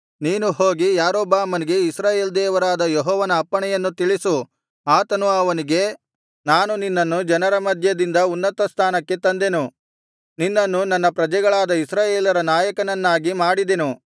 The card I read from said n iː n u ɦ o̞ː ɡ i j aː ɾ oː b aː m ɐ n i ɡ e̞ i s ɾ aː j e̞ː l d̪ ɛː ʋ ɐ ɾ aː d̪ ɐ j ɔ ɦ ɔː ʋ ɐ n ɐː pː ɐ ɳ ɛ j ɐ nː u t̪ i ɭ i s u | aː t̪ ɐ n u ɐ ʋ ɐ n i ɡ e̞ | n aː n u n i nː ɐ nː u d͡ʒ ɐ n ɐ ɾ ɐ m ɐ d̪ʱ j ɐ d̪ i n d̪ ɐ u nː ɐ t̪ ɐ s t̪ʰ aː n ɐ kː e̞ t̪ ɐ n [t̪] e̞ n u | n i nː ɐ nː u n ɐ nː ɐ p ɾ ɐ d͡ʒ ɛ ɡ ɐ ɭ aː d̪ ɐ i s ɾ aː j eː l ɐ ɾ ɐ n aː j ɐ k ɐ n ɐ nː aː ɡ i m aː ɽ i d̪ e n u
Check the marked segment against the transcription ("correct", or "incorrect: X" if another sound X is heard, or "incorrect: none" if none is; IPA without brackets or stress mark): incorrect: d̪